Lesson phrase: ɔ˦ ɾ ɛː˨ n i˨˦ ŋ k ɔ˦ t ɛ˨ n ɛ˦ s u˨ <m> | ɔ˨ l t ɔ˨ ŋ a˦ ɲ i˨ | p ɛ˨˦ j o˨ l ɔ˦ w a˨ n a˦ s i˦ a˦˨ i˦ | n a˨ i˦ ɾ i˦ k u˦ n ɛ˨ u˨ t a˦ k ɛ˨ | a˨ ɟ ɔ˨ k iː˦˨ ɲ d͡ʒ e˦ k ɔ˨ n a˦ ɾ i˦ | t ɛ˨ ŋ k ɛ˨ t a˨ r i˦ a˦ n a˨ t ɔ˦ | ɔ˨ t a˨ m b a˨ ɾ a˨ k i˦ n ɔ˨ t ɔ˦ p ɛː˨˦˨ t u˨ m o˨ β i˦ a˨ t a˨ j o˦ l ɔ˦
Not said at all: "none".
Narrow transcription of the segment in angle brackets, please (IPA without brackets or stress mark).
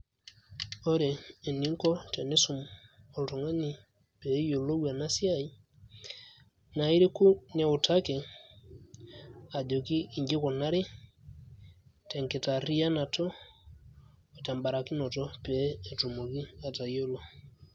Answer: m